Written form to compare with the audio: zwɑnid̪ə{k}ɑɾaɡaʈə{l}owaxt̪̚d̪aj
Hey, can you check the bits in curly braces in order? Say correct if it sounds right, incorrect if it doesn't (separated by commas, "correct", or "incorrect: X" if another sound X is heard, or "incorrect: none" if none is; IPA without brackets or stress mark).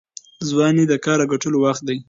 correct, correct